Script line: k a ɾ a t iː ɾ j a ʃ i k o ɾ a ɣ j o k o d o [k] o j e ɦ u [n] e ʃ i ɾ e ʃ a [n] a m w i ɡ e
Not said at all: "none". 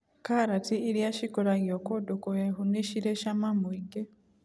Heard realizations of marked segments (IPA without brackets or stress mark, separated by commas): k, n, m